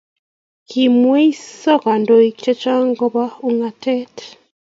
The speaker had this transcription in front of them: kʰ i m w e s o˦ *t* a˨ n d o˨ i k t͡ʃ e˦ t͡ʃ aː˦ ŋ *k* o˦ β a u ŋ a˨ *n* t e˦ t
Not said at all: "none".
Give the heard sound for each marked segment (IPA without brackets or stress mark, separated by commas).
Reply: k, ɡ, none